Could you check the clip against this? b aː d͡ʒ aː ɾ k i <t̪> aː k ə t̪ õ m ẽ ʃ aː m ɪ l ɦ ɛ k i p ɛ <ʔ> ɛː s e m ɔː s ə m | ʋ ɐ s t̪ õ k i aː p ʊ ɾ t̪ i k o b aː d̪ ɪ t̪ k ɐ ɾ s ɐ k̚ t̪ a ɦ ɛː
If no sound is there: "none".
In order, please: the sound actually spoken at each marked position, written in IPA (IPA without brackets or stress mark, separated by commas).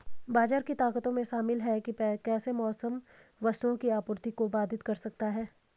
t̪, k